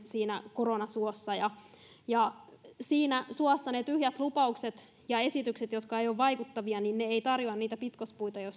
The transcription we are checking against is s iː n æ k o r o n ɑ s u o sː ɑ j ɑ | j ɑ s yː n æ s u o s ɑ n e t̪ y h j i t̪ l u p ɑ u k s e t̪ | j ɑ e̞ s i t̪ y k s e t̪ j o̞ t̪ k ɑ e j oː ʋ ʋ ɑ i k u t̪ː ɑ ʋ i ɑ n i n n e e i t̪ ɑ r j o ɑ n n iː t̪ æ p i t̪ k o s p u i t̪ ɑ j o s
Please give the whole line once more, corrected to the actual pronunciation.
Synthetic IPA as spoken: s iː n æ k o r o n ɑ s u o sː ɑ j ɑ | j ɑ s iː n æ s u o sː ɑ n e t̪ y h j æ t̪ l u p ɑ u k s e t̪ | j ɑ e̞ s i t̪ y k s e t̪ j o̞ t̪ k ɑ e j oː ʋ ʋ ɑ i k u t̪ː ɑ ʋ i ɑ n i n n e e i t̪ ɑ r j o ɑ n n iː t̪ æ p i t̪ k o s p u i t̪ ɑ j o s